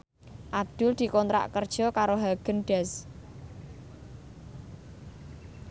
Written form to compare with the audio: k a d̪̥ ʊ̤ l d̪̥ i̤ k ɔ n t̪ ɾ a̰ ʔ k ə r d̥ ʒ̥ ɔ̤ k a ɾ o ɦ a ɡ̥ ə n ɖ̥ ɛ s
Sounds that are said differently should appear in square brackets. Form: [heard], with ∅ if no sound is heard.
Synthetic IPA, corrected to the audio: [ʔ] a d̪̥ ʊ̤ l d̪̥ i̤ k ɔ n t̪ ɾ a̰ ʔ k ə r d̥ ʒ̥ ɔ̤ k a ɾ o ɦ a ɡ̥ ə n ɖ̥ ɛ s

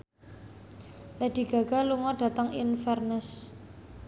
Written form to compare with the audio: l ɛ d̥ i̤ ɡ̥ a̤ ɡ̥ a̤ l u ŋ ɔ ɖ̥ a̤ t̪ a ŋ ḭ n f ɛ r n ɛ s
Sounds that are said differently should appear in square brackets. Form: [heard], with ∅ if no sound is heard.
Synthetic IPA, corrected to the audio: l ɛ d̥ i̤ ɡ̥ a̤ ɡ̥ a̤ l u ŋ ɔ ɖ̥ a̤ t̪ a ŋ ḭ n f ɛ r n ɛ s

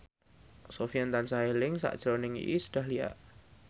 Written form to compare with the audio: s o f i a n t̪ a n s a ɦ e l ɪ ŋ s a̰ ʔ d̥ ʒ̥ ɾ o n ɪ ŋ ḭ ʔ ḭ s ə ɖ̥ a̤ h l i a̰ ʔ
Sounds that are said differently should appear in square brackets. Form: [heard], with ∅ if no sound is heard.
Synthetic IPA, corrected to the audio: s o f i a n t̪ a n s a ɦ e l ɪ ŋ s a̰ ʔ d̥ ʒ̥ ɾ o n ɪ ŋ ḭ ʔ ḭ s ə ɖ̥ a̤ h l i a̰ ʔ

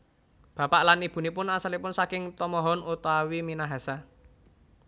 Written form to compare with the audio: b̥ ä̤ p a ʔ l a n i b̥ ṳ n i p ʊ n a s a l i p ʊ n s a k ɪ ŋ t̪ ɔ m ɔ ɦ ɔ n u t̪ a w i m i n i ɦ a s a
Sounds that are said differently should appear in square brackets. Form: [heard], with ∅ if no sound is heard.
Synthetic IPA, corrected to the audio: b̥ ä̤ p a ʔ l a n i b̥ ṳ n i p ʊ n a s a l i p ʊ n s a k ɪ ŋ t̪ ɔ m ɔ ɦ ɔ n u t̪ a w i m i n [a] ɦ a s a

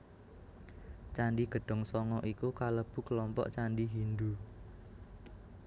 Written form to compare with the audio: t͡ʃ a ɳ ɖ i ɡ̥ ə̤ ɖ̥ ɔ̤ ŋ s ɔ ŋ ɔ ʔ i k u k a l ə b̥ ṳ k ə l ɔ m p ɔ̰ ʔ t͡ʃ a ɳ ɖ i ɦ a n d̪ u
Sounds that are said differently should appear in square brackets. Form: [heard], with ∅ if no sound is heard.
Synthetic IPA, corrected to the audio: t͡ʃ a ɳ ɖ i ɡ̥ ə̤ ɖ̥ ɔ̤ ŋ s ɔ ŋ ɔ ʔ i k u k a l ə b̥ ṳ k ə l ɔ m p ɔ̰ ʔ t͡ʃ a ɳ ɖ i ɦ [i] n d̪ u

